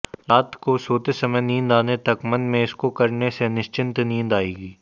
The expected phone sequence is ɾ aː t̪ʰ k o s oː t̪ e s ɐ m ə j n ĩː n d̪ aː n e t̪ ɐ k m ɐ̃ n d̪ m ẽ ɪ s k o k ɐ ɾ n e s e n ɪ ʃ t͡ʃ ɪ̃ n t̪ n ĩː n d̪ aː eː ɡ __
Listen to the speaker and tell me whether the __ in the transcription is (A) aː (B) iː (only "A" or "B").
B